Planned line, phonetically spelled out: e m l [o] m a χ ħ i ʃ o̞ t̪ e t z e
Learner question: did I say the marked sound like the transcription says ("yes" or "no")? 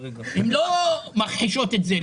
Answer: yes